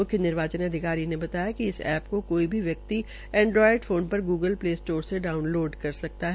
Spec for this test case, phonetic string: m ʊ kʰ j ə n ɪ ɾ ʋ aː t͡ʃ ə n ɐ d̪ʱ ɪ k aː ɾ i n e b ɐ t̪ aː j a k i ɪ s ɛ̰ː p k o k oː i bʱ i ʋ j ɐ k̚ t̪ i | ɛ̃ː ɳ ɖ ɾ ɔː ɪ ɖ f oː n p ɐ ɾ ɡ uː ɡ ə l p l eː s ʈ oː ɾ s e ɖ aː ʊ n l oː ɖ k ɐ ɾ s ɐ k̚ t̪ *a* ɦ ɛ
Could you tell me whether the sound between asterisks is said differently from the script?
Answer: no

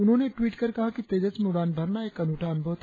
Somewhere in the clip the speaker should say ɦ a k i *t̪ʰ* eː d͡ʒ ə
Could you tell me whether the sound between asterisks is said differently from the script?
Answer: yes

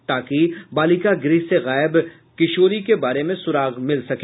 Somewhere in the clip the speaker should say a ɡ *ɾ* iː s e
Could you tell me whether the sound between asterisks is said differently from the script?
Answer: no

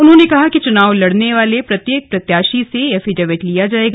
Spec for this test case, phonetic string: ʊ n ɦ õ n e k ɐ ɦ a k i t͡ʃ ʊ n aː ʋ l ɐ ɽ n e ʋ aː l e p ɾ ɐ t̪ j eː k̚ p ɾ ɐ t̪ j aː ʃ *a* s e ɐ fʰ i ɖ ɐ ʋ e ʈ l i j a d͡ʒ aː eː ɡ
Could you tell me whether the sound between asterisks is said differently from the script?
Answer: yes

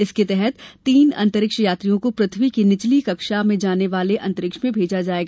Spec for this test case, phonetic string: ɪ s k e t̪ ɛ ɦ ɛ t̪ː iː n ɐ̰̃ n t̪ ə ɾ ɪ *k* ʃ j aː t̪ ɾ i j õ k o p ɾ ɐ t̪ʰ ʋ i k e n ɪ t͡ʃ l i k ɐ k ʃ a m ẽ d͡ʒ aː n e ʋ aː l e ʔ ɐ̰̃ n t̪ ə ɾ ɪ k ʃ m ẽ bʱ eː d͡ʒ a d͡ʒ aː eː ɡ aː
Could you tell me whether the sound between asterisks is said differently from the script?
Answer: no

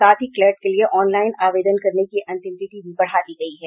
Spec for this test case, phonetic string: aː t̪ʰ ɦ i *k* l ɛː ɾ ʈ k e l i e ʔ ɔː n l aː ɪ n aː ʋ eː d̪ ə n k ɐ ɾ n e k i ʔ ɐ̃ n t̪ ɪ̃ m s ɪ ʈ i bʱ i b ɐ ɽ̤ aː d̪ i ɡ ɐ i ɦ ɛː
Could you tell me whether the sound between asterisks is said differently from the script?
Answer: no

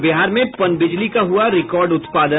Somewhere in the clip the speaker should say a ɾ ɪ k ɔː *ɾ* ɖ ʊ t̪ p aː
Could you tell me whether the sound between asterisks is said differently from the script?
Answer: no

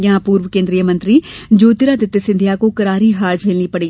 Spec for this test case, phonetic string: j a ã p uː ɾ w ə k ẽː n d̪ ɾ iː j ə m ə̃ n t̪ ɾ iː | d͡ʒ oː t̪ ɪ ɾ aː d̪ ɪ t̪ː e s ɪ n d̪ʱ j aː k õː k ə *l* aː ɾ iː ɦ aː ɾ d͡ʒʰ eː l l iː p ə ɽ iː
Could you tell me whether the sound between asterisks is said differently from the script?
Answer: yes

